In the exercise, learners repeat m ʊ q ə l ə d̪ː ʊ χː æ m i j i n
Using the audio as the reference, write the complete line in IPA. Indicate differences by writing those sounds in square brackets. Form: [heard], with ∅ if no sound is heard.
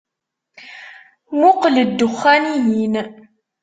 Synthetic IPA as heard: m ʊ q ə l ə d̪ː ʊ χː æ [n] i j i n

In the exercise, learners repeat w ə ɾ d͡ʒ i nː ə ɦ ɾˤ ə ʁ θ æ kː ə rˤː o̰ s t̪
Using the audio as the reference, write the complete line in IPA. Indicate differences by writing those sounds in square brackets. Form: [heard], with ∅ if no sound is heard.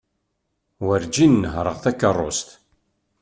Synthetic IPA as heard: w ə ɾ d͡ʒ i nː ə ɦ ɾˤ ə ʁ θ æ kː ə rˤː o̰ s t̪

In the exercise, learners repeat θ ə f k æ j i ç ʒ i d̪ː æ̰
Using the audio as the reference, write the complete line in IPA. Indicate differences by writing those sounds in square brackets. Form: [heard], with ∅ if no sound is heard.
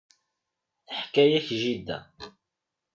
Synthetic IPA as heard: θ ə [ħ] k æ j [æ] ç ʒ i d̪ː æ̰

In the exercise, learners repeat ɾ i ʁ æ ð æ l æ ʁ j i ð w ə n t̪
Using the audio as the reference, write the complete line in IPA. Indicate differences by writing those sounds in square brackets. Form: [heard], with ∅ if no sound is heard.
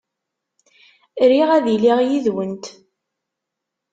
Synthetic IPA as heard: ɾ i ʁ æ ð [i] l [i] ʁ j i ð w ə n t̪

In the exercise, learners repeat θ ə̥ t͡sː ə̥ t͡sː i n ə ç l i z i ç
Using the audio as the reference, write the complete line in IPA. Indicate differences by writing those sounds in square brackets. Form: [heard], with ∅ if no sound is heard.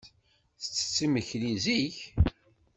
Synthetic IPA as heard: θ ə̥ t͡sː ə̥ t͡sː i [m] ə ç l i z i ç

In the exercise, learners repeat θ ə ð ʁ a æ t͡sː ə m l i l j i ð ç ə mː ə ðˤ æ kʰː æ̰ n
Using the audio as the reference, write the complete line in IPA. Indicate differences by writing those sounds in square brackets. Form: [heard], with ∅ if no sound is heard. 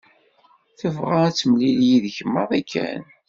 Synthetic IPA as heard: θ ə [v] ʁ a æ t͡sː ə m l i l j i ð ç ə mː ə ðˤ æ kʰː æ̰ n

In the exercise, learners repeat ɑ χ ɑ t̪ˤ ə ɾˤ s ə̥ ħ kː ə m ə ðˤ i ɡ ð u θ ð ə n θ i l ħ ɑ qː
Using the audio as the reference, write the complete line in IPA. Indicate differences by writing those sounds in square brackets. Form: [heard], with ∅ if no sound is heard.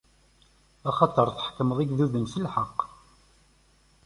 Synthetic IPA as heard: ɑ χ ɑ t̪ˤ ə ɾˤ [θ] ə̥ ħ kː ə m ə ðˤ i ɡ ð u [∅] ð ə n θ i l ħ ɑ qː

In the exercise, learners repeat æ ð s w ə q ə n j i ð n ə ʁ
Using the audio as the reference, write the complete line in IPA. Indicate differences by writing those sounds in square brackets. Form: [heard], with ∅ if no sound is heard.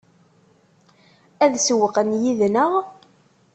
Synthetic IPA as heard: æ ð s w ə q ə n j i ð n ə ʁ

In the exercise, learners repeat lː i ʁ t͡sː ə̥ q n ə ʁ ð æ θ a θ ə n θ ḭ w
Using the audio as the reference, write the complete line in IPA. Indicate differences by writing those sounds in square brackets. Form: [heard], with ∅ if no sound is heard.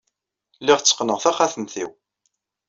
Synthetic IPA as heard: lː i ʁ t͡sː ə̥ q n ə ʁ [θ] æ [χ] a θ ə n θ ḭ w

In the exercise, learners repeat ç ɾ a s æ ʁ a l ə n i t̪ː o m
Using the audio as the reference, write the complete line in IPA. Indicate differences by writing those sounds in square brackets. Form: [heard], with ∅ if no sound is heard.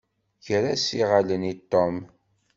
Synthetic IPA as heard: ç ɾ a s [i] ʁ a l ə n i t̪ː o m

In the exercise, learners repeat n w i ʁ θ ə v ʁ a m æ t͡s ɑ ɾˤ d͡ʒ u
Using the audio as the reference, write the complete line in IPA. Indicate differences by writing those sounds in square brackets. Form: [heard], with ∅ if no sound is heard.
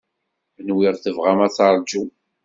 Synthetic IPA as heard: n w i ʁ θ ə v ʁ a m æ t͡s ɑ ɾˤ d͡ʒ u

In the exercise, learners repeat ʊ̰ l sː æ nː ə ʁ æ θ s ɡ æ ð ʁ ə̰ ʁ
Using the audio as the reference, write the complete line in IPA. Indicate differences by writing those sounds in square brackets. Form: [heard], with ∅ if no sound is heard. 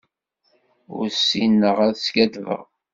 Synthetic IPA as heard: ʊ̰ [ɾ] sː [i] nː ə ʁ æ [ð] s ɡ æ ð [v] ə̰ ʁ

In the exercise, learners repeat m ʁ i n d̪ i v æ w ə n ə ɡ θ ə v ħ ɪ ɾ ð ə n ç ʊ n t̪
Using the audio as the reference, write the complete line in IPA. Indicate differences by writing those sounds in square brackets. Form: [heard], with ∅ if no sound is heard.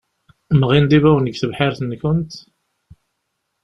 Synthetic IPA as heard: m ʁ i n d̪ i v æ w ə n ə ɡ θ ə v ħ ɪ ɾ [θ] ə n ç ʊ n t̪

